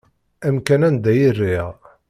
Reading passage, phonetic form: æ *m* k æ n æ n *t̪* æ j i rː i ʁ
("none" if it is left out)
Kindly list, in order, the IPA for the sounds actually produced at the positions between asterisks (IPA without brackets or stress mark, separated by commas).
m, d̪